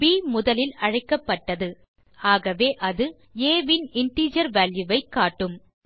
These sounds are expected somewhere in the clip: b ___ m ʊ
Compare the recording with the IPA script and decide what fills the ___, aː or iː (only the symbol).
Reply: iː